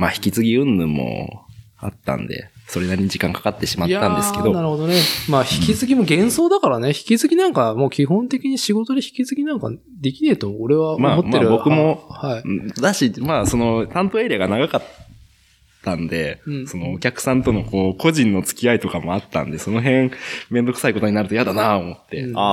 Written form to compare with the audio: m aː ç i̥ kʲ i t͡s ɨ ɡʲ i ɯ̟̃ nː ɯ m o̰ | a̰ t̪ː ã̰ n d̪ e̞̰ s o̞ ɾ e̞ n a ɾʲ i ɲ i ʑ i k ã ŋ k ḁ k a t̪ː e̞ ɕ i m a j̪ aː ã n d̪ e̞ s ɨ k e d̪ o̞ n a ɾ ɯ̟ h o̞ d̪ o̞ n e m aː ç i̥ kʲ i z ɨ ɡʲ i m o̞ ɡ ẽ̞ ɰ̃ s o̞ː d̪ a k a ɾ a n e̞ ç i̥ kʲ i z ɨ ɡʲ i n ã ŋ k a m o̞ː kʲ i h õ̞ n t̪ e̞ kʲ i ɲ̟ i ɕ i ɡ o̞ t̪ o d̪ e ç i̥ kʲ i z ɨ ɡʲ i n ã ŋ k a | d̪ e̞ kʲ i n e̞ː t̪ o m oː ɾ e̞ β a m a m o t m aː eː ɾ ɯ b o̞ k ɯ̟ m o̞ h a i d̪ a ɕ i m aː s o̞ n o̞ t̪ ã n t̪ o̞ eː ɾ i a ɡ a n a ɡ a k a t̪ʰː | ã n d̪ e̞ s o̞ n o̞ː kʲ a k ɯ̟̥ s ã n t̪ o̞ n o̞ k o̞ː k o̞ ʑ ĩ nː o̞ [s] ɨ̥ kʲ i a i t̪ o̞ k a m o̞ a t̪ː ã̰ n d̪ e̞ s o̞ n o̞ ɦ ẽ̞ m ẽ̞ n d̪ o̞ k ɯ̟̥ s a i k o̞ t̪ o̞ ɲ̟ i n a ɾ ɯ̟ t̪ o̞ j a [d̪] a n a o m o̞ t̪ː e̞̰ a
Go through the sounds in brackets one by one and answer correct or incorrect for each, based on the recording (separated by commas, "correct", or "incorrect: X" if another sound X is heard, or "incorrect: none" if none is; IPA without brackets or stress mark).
incorrect: t͡s, correct